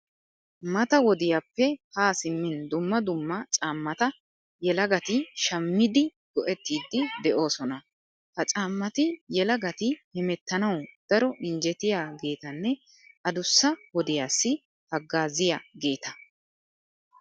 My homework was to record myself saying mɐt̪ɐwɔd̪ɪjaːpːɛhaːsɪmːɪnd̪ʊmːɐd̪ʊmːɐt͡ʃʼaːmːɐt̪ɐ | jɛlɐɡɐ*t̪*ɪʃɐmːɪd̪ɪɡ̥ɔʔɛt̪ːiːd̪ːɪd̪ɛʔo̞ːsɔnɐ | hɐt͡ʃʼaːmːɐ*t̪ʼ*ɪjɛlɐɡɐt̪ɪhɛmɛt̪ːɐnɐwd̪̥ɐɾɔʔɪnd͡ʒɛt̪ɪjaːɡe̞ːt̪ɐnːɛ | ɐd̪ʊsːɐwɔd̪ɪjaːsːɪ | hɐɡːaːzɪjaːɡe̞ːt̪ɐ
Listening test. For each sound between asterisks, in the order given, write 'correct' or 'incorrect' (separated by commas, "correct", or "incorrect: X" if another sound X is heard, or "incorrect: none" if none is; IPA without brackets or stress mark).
correct, incorrect: t̪